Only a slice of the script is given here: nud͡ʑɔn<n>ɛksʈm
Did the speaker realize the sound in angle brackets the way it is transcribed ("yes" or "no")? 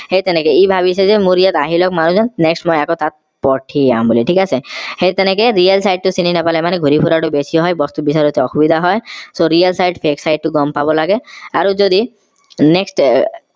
yes